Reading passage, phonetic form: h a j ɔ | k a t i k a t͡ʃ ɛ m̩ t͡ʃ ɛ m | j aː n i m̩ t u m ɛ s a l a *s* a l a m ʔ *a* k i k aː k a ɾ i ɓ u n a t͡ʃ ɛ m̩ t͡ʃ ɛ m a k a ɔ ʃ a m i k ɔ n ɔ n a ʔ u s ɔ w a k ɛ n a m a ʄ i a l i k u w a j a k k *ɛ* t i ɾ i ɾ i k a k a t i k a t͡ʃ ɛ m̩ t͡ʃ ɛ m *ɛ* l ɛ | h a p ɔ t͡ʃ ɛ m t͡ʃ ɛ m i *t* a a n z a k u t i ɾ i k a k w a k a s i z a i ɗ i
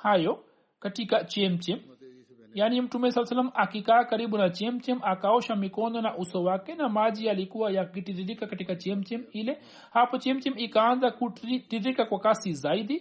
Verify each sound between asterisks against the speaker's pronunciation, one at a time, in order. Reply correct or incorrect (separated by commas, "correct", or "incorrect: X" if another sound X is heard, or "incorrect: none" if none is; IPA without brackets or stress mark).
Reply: correct, correct, incorrect: i, incorrect: i, incorrect: k